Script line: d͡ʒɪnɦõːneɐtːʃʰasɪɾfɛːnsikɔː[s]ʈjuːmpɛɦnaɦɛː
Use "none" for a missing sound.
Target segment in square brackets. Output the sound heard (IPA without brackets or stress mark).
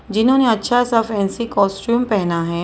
s